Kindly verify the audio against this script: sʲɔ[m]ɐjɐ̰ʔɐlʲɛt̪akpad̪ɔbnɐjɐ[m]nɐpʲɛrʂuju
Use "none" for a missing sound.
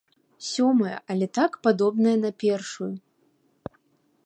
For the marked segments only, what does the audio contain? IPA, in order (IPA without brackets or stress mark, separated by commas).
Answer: m, none